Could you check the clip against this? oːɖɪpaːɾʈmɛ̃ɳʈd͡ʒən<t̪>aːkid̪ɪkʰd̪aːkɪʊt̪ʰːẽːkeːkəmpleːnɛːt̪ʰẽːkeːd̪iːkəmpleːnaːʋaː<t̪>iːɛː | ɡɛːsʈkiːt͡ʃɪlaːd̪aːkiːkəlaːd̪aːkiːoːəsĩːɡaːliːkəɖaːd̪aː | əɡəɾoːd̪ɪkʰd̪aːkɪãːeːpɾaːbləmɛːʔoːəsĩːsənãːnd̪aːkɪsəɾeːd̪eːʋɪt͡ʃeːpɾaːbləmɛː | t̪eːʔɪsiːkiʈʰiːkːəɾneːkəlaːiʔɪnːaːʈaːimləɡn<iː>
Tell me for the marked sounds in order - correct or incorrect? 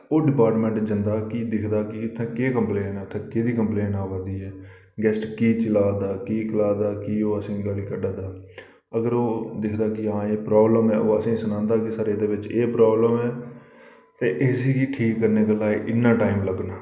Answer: incorrect, incorrect, incorrect

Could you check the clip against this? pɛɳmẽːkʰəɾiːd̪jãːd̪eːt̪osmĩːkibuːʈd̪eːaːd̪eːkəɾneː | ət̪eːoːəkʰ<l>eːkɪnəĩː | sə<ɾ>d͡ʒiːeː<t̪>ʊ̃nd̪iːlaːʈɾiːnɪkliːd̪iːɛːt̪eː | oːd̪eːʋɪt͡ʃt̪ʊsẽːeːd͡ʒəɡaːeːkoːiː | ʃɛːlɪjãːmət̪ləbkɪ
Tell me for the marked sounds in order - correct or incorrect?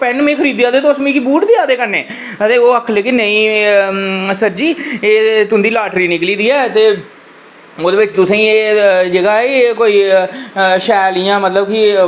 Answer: correct, correct, correct

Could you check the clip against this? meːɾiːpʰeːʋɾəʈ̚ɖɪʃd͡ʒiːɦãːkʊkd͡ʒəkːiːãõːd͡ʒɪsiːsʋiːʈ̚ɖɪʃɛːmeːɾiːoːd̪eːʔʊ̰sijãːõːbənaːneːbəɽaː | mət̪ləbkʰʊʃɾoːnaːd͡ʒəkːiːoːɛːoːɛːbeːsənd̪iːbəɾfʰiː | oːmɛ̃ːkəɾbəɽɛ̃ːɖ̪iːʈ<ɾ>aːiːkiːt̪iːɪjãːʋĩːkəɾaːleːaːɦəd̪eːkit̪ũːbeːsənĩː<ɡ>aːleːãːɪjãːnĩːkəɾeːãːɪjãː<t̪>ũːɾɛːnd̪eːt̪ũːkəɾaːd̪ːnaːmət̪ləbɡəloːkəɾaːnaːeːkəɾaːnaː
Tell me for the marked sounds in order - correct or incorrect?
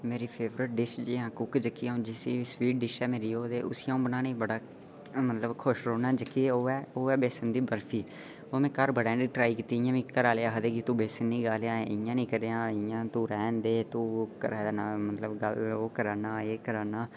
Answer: correct, correct, correct

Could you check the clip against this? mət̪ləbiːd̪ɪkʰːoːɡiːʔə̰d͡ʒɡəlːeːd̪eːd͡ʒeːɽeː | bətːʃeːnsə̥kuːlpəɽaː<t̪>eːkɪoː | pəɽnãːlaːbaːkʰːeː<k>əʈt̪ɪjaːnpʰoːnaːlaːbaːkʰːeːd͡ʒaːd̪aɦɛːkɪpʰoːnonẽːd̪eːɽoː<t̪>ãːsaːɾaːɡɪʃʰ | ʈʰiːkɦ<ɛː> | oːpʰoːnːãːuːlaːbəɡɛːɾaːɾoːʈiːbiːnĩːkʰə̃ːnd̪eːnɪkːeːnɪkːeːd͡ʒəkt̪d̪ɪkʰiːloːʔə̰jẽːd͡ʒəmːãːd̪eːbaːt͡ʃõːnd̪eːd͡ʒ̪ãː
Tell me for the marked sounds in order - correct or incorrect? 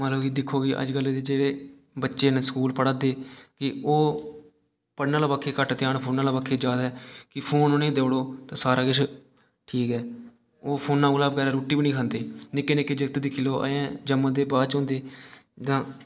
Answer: incorrect, correct, correct, correct

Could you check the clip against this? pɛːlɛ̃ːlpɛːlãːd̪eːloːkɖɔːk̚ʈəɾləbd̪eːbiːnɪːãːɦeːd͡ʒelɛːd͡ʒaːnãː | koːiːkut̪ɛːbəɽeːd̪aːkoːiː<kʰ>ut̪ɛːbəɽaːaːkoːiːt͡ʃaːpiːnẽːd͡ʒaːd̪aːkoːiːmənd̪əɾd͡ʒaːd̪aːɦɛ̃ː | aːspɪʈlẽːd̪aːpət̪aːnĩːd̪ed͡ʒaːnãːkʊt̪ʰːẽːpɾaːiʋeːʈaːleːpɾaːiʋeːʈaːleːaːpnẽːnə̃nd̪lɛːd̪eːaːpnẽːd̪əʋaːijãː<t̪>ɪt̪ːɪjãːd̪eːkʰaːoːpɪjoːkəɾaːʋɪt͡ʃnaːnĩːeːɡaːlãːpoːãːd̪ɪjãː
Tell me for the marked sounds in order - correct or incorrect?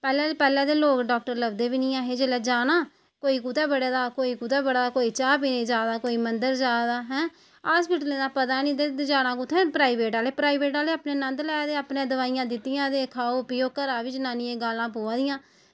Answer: incorrect, incorrect

